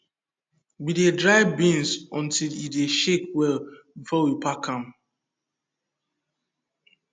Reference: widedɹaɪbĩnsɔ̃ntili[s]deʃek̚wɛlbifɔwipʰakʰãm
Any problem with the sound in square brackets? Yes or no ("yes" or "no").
yes